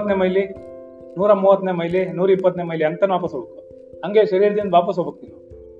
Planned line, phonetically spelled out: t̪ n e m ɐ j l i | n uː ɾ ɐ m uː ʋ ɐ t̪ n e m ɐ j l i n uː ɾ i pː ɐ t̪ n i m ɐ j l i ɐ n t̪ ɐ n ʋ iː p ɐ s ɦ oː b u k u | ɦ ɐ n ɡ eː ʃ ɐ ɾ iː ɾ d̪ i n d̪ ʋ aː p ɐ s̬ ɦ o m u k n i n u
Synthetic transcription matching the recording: t̪ n e m ɐ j l i | n uː ɾ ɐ m uː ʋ ɐ t̪ n e m ɐ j l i n uː ɾ i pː ɐ t̪ n e m ɐ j l i ɐ n t̪ ɐ n ʋ aː p ɐ s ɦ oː b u k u | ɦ ɐ ŋ ɡ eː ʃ ɐ ɾ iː ɾ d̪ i n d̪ ʋ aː p ɐ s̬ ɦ o b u k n i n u